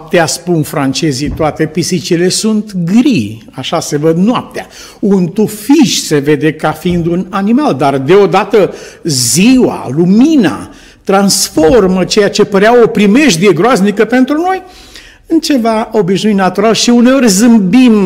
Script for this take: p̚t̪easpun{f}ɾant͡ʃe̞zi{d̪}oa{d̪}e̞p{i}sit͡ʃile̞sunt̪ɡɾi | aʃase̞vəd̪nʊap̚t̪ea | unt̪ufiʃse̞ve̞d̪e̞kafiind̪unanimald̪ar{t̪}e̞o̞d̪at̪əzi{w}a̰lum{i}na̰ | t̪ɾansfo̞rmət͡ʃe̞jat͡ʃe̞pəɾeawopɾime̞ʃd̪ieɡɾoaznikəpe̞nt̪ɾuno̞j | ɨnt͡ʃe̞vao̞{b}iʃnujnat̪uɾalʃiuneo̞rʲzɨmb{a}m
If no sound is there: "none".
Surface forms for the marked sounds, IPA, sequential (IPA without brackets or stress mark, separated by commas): f, t̪, t̪, i, d̪, w, i, b, i